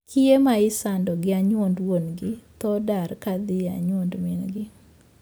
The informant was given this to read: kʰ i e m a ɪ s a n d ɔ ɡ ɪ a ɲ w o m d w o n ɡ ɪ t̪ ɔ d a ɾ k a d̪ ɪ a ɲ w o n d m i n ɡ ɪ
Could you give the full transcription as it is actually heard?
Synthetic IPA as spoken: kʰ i e m a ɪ s a n d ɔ ɡ ɪ a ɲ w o n d w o n ɡ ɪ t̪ ɔ d a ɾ k a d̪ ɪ a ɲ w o n d m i n ɡ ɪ